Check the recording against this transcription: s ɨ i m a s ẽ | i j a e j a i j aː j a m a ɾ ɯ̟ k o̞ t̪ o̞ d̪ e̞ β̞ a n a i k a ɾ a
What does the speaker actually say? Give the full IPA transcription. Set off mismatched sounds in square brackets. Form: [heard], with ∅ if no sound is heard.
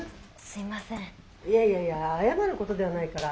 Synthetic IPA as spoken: s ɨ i m a s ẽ | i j a [i] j a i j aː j a m a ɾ ɯ̟ k o̞ t̪ o̞ d̪ e̞ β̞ a n a i k a ɾ a